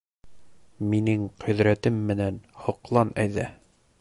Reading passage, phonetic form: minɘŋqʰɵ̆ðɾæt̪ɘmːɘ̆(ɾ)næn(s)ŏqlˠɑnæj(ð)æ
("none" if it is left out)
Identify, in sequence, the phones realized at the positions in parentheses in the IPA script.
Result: none, h, ð

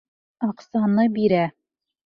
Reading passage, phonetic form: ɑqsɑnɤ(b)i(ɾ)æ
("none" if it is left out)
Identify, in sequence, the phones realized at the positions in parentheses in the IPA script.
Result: b, ɾ

